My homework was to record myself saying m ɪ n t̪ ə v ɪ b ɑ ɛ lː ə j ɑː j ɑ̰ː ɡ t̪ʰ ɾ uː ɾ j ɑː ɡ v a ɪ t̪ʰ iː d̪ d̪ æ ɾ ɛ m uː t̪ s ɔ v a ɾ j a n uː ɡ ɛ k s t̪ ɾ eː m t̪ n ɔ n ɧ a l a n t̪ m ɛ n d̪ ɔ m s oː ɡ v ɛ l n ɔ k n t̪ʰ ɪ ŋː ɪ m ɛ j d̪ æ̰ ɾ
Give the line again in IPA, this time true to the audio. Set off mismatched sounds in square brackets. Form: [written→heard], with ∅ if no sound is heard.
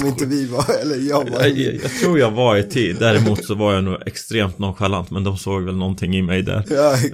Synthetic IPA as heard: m ɪ n t̪ ə v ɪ [b→v] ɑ ɛ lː ə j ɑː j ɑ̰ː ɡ t̪ʰ ɾ uː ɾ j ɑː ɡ v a ɪ t̪ʰ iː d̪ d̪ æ ɾ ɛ m uː t̪ s ɔ v a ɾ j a n uː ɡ ɛ k s t̪ ɾ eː m t̪ n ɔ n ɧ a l a n t̪ m ɛ n d̪ ɔ m s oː ɡ v ɛ l n ɔ [k→∅] n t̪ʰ ɪ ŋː ɪ m ɛ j d̪ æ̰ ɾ